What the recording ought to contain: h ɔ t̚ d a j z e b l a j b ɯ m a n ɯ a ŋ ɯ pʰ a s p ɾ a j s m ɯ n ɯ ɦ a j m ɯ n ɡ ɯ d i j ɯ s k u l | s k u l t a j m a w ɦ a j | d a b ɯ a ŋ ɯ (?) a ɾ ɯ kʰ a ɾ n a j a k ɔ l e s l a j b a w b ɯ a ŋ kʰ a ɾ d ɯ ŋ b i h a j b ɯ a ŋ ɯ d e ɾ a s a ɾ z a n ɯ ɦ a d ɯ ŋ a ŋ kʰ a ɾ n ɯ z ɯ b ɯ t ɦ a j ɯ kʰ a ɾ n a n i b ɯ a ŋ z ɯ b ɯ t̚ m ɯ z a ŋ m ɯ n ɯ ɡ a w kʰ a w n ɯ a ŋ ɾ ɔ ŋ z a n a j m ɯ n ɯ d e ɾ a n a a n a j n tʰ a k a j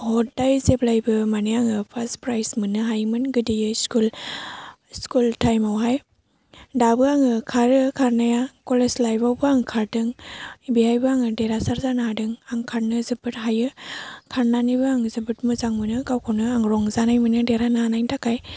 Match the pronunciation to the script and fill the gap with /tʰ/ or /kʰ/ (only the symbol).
kʰ